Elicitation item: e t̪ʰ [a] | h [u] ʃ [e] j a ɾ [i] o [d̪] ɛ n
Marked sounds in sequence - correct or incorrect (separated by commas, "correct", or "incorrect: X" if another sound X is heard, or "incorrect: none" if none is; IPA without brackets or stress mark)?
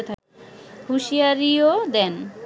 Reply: correct, correct, incorrect: i, correct, correct